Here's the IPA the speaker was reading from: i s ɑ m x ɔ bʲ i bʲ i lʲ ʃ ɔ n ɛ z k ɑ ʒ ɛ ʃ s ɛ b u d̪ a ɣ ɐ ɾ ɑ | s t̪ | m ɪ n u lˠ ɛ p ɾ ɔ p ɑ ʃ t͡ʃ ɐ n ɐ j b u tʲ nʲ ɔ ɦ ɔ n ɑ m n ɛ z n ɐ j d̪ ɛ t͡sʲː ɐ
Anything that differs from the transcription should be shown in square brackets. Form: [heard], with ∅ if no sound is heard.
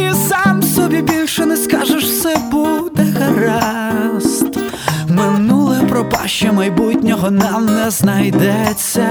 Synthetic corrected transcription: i s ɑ m [s] ɔ bʲ i bʲ i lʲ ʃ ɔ n ɛ [s] k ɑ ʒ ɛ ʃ s ɛ b u d̪ [ɛ] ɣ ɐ ɾ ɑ | s t̪ | m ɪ n u lˠ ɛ p ɾ ɔ p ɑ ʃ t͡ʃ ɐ [m] ɐ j b u tʲ nʲ ɔ ɦ ɔ n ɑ m n ɛ z n ɐ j d̪ ɛ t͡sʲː ɐ